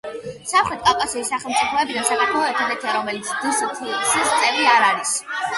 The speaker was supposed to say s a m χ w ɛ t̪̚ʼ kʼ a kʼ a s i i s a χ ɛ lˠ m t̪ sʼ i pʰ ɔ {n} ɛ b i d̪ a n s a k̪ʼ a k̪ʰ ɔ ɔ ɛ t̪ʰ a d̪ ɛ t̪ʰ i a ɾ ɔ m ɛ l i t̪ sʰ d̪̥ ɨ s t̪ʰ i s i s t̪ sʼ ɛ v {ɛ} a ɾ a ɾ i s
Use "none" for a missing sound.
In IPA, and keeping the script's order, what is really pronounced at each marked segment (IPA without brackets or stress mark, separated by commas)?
none, i